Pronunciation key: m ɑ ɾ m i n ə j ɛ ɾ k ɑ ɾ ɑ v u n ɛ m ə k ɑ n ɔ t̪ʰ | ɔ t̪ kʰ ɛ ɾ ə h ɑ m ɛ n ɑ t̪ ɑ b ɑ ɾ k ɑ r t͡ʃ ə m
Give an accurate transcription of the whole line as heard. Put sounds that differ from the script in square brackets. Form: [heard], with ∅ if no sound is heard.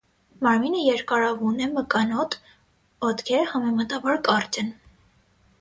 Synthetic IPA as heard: m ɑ ɾ m i n ə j ɛ ɾ k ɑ ɾ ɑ v u n ɛ m ə k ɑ n ɔ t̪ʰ | ɔ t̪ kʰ ɛ ɾ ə h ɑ m ɛ [m] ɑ t̪ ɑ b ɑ ɾ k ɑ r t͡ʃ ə [n]